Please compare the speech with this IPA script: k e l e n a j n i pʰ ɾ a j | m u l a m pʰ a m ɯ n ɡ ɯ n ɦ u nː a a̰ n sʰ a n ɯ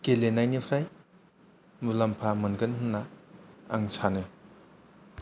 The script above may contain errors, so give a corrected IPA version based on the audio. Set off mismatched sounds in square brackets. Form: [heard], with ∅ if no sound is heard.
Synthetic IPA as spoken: k e l e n a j n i pʰ ɾ a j | m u l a m pʰ a m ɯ n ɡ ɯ n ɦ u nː a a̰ [ŋ] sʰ a n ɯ